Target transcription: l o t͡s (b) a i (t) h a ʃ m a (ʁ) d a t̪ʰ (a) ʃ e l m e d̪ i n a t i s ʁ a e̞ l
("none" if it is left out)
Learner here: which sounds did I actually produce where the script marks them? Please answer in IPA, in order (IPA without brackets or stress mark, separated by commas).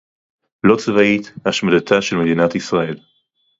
v, t, none, a